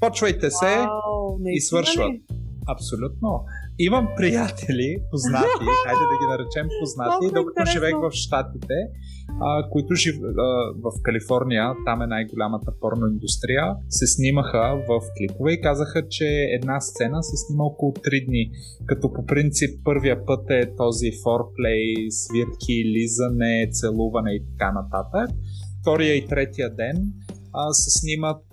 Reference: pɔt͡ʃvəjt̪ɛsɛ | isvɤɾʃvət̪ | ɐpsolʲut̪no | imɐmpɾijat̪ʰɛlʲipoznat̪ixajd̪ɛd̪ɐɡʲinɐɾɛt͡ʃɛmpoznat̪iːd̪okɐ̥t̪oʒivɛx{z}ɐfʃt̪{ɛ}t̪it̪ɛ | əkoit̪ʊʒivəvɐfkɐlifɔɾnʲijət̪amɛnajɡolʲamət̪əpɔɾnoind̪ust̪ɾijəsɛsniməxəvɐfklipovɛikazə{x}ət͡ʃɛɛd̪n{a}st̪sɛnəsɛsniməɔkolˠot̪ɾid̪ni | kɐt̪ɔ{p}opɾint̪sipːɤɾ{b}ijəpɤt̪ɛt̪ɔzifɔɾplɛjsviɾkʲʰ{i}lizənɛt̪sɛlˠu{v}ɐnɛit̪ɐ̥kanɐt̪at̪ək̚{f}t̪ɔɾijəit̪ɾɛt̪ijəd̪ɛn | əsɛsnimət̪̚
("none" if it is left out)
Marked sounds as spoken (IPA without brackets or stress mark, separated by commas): v, a, x, a, p, v, i, v, f